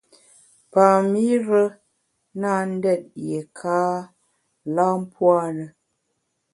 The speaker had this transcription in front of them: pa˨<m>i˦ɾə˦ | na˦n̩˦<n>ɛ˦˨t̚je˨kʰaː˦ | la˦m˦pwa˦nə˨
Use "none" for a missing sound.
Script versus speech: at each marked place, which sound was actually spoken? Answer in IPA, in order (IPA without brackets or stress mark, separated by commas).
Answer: m, d